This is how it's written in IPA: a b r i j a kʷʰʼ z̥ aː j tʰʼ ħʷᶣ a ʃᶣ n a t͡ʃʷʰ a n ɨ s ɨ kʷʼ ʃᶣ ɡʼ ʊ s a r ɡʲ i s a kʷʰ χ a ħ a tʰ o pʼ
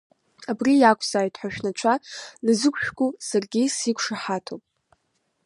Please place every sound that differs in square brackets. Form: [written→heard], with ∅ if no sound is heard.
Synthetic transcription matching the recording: a b r i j a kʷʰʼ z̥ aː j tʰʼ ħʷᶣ a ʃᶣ n a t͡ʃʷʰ a n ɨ [s→z] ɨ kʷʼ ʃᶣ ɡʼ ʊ s a r ɡʲ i s [a→i] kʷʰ [χ→ʂ] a ħ a tʰ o pʼ